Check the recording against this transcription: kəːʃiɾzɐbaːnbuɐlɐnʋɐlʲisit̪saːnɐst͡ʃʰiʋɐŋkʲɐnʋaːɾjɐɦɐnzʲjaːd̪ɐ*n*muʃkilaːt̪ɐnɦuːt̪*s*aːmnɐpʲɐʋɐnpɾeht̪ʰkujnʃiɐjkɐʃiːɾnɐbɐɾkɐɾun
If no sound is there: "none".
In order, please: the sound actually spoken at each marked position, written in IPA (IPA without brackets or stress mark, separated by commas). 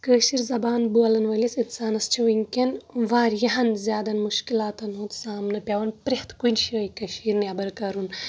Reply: n, s